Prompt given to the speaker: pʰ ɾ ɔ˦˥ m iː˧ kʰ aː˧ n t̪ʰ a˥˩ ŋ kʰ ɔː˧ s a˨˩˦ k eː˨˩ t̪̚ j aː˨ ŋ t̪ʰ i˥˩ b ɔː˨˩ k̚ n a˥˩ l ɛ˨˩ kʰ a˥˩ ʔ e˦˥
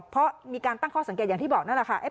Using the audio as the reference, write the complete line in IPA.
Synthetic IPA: pʰ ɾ ɔ˦˥ m iː˧ k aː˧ n t̪ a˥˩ ŋ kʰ ɔː˥˩ s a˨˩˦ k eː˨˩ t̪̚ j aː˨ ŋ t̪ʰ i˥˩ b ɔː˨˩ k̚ n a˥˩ l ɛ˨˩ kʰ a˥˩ ʔ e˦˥